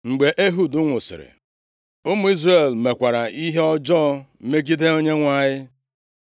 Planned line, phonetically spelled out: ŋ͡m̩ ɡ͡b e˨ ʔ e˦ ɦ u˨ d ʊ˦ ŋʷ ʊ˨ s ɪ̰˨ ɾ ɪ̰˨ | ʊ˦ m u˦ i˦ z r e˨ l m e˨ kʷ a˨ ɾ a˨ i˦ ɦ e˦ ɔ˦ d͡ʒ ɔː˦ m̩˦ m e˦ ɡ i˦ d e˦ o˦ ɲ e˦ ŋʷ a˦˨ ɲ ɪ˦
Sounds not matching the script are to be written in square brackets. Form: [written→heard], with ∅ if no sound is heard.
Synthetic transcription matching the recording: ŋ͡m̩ ɡ͡b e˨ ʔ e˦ ɦ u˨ d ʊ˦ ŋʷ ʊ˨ s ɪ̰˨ ɾ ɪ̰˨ | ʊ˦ m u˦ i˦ z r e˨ l m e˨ kʷ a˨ ɾ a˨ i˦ ɦ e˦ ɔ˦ d͡ʒ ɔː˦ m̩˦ m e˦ ɡ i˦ d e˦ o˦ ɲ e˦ ŋʷ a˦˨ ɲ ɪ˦

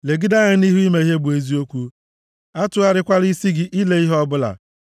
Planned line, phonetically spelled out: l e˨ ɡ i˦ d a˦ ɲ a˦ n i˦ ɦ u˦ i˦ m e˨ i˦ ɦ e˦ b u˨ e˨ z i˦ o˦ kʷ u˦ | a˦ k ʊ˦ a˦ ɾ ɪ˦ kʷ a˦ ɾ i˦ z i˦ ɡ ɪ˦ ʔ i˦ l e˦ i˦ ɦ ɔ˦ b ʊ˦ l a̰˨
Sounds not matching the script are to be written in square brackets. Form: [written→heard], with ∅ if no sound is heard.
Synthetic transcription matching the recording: l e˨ ɡ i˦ d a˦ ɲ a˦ n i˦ ɦ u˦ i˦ m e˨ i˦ ɦ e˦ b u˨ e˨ z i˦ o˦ kʷ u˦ | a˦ [k→t] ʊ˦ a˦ ɾ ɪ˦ kʷ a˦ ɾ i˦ [z→s] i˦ ɡ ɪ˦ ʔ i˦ l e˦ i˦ ɦ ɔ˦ b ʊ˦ l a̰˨

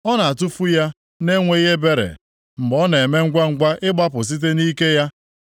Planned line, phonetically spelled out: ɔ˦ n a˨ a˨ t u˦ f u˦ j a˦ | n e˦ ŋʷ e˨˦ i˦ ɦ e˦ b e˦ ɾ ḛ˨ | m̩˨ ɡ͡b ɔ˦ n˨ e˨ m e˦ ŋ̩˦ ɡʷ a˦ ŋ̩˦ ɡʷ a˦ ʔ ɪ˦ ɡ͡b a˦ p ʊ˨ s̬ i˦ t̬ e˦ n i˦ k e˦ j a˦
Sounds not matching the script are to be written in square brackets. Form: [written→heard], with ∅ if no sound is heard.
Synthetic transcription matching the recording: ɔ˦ n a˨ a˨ t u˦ f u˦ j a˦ | n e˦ ŋʷ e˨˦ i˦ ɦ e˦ b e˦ ɾ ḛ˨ | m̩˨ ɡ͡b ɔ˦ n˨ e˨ m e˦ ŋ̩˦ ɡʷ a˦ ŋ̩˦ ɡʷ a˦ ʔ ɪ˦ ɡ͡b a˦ p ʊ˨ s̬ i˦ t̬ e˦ n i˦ k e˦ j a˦

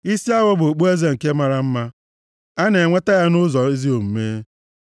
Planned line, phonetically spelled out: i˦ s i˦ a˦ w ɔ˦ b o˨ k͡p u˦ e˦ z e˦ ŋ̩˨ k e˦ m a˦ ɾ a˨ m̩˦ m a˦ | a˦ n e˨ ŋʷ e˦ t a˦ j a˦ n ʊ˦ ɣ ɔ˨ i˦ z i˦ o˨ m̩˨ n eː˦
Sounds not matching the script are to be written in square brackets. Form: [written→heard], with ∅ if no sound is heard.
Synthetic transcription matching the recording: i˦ s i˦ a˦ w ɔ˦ b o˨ k͡p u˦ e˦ z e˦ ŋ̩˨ k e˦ m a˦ ɾ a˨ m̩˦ m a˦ | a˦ n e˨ ŋʷ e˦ t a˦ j a˦ n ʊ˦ [ɣ→z] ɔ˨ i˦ z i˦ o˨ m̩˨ [n→m] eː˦

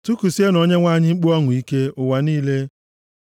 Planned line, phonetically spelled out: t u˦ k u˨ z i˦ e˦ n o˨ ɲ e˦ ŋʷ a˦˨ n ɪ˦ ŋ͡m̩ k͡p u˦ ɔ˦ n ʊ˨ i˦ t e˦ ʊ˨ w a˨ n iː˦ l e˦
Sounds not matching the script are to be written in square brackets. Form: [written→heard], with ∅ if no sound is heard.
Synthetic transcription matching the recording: t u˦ k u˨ [z→s] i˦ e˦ n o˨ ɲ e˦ ŋʷ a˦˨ [n→ɲ] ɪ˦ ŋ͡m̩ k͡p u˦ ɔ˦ [n→ŋ] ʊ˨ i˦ [t→k] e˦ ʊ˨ w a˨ n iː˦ l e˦

